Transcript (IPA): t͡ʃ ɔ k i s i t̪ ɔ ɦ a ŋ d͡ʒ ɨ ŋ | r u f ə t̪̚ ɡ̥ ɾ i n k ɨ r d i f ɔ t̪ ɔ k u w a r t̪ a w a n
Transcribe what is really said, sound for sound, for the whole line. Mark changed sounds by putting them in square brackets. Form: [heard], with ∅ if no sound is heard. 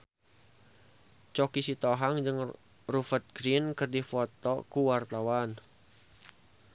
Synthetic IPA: t͡ʃ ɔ k i s i t̪ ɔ ɦ a ŋ d͡ʒ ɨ ŋ | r u f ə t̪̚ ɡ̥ ɾ i n k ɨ r d i f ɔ t̪ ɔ k u w a r t̪ a w a n